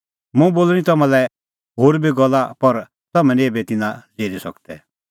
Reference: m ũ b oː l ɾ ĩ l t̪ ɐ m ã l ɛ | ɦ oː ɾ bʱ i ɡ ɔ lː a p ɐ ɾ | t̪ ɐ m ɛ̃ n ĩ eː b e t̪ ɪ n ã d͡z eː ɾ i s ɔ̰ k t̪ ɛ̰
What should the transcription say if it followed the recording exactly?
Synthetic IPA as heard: m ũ b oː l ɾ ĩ t̪ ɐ m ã l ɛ | ɦ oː ɾ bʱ i ɡ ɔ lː a p ɐ ɾ | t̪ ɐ m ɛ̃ n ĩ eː b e t̪ ɪ n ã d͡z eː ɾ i s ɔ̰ k t̪ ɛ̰